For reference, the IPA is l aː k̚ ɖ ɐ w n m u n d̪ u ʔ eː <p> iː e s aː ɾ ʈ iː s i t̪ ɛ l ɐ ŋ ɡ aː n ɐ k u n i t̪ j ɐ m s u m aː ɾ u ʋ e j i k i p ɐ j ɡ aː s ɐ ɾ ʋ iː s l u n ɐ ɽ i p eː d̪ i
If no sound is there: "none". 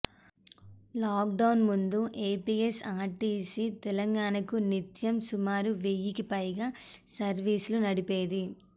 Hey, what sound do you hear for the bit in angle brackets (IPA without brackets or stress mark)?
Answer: p